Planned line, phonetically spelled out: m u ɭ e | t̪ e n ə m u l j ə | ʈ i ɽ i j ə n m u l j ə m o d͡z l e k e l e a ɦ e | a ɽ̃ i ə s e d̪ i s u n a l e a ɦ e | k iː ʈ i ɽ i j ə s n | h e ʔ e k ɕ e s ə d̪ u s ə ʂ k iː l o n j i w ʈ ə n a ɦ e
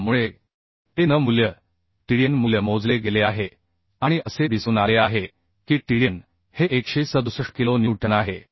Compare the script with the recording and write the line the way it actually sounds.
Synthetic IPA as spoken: m u ɭ e | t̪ e n ə m u l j ə | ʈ i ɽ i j ə n m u l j ə m o d͡z l e ɡ e l e a ɦ e | a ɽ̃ i ə s e d̪ i s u n a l e a ɦ e | k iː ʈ i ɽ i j ə n | h e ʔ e k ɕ e s ə d̪ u s ə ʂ k i l o n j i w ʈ ə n a ɦ e